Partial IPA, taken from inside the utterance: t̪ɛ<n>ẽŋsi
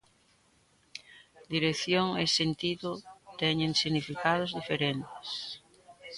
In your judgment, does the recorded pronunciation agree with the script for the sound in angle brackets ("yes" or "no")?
no